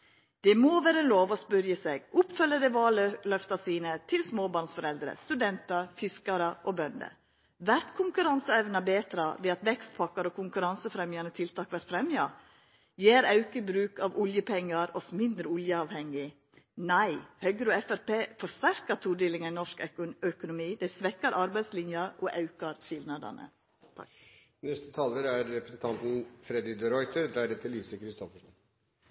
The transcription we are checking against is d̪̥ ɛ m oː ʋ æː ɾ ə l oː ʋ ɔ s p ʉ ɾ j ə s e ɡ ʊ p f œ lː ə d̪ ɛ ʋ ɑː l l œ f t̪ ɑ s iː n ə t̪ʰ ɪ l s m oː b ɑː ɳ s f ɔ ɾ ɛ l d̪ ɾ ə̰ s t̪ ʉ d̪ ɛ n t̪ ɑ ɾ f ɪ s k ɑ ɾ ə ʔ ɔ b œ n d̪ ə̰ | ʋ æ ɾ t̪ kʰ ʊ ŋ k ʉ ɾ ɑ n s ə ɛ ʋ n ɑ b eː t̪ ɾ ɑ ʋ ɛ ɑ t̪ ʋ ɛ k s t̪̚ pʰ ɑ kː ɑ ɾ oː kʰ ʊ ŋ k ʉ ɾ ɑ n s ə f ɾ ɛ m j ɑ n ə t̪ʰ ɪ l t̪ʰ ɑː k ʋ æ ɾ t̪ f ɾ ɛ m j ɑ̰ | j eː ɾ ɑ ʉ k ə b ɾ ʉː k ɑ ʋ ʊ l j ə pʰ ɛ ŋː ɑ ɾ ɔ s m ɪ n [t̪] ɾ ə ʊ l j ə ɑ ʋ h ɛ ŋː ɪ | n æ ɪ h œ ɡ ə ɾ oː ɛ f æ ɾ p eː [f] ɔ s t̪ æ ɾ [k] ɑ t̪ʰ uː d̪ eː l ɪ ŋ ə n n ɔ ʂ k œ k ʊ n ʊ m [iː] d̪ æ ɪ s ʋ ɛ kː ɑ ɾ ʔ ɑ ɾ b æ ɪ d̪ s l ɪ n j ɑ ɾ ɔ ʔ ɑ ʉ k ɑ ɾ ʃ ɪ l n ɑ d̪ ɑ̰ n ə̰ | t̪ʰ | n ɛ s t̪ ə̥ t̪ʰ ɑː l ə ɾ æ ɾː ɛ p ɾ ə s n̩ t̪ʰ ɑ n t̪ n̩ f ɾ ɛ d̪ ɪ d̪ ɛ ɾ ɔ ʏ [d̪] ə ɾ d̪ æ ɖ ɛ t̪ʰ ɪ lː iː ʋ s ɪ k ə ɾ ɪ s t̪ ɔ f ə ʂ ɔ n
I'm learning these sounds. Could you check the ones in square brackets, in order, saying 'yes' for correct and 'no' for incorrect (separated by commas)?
no, yes, yes, yes, no